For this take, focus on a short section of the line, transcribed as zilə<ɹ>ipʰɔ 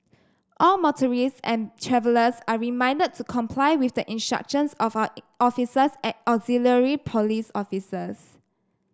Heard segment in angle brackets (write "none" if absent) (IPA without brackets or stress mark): ɹ